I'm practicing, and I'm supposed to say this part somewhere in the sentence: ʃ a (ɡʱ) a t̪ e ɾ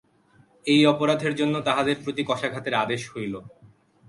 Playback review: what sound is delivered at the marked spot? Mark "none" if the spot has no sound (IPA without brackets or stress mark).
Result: ɡʱ